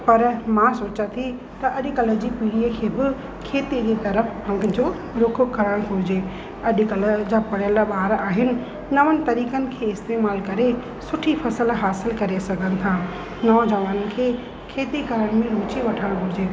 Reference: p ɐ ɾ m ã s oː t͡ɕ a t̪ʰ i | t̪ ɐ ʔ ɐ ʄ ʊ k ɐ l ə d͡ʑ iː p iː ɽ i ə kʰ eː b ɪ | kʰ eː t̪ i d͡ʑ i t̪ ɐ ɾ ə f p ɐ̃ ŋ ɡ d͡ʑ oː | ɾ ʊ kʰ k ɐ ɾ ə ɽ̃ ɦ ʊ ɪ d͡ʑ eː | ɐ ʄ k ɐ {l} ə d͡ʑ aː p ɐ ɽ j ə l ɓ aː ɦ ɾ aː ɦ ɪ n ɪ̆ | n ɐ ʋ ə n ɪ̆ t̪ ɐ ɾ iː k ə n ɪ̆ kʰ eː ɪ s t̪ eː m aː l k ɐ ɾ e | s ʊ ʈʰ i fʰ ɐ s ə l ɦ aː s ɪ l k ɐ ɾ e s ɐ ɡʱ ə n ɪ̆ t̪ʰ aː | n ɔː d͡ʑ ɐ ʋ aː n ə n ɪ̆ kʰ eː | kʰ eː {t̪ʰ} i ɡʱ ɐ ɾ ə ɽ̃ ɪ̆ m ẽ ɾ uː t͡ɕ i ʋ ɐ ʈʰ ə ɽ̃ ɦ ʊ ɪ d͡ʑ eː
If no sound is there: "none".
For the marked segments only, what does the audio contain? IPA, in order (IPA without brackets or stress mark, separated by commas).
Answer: l, t̪